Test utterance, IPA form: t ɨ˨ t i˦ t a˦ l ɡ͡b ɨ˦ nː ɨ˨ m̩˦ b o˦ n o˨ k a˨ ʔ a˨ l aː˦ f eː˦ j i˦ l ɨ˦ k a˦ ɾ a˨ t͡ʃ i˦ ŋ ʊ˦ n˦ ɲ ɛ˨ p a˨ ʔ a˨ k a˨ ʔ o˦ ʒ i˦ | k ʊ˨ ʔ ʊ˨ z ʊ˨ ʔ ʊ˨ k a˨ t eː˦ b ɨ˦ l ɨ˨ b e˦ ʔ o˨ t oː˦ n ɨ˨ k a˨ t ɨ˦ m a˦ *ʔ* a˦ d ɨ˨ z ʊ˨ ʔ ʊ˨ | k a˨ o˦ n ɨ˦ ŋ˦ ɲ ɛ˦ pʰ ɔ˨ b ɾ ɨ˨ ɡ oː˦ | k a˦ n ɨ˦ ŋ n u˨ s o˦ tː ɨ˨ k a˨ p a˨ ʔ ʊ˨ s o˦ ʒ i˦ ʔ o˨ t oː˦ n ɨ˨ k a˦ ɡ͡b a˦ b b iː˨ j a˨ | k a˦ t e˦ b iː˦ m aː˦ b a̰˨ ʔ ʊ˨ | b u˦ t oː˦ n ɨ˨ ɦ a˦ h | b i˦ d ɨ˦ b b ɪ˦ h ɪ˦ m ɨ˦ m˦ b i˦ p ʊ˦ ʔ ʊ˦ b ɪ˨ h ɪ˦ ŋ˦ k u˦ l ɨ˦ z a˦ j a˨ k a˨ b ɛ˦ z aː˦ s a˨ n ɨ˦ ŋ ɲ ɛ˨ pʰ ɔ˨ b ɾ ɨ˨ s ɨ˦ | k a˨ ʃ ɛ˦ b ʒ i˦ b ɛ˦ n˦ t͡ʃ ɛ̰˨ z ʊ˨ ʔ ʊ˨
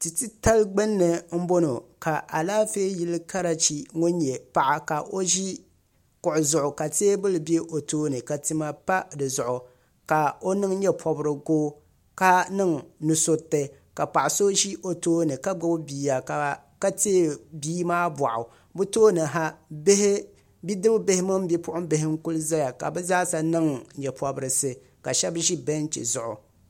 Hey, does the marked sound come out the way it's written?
no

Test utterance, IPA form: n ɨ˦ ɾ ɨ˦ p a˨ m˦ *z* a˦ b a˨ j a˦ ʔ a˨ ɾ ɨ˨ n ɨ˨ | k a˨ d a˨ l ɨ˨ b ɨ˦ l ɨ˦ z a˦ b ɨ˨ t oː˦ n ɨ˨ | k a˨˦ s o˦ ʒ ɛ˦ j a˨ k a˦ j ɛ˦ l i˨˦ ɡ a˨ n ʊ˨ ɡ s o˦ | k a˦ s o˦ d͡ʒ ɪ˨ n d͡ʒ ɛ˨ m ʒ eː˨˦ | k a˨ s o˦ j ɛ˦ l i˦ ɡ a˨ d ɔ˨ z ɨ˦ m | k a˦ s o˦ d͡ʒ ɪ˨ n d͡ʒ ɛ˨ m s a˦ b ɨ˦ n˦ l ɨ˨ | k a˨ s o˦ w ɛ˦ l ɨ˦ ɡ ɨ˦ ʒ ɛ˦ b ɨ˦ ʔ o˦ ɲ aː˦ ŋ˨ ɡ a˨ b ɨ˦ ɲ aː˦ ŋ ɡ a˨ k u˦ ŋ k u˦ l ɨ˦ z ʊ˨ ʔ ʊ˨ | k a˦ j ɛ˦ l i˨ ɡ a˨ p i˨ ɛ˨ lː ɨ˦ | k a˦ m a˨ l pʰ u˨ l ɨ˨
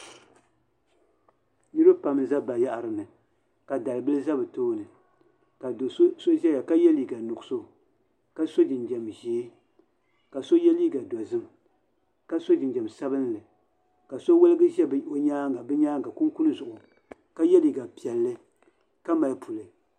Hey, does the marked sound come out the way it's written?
yes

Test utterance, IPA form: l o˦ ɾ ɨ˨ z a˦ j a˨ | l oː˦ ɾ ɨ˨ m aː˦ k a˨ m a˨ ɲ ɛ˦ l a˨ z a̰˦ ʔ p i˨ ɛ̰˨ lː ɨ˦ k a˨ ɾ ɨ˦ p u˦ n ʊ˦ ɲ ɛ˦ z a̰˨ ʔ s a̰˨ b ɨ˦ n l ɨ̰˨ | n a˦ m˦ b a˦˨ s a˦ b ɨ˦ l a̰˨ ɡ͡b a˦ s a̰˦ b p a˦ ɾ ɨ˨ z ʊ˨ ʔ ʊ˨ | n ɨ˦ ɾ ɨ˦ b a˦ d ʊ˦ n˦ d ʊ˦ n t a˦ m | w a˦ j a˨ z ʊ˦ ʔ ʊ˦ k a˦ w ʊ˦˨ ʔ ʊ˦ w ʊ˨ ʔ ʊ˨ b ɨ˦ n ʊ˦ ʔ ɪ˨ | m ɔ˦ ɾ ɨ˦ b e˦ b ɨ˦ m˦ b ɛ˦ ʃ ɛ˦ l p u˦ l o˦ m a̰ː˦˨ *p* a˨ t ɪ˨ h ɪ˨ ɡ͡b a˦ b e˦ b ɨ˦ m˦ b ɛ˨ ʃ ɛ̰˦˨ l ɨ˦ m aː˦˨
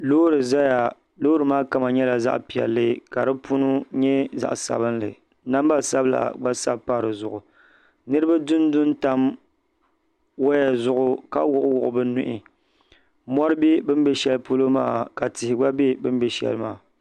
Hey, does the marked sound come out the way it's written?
no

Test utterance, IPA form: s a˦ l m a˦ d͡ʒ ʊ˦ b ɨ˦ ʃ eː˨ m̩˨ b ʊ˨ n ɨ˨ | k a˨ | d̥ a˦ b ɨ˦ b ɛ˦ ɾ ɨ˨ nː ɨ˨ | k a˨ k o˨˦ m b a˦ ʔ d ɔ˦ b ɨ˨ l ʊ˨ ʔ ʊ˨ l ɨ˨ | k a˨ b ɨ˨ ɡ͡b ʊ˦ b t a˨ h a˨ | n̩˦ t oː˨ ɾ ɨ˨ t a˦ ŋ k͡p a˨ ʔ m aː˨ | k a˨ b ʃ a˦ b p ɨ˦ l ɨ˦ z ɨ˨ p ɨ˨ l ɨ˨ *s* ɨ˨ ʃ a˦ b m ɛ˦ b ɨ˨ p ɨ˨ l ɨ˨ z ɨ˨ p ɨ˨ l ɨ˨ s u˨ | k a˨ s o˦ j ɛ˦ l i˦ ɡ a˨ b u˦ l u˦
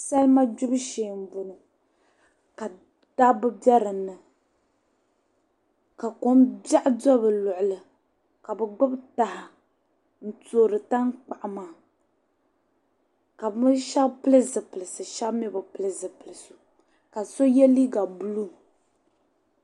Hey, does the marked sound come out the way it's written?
yes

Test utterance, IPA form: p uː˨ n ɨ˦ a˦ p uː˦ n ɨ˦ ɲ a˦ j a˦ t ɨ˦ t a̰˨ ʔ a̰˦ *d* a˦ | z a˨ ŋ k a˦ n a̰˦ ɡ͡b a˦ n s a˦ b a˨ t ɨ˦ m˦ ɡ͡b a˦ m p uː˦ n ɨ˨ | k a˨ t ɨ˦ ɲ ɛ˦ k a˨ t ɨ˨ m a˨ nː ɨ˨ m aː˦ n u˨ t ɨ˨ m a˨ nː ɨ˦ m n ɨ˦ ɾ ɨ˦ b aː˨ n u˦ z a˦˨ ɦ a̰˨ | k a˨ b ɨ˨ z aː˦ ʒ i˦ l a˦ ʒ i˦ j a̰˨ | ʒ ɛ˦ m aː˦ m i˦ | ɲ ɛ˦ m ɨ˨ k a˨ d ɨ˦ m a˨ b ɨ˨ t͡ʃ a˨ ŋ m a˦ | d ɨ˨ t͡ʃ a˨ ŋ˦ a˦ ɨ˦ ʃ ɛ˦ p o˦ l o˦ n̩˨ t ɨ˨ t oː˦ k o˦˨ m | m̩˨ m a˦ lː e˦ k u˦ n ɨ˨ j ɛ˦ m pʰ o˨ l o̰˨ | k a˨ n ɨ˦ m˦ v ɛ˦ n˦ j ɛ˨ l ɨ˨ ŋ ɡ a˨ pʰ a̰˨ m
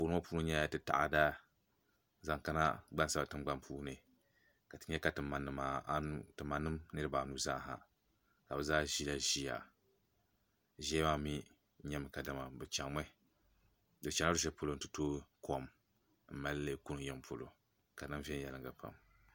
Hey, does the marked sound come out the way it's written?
yes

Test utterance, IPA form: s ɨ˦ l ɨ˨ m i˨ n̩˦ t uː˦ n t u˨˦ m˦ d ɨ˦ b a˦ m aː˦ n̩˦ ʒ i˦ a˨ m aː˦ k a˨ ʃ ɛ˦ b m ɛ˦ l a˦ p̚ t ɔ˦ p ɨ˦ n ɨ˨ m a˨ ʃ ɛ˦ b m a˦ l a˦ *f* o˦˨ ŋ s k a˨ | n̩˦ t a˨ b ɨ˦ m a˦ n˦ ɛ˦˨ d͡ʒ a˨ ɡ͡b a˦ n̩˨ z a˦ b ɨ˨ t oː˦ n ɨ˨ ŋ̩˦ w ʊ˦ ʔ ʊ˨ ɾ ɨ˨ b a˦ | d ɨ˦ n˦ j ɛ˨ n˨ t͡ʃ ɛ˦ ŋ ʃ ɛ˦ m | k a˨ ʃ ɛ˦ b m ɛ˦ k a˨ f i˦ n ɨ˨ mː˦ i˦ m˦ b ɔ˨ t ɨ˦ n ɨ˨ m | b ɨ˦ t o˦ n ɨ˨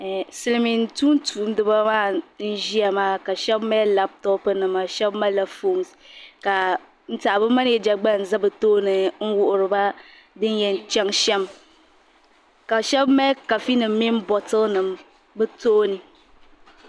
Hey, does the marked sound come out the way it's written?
yes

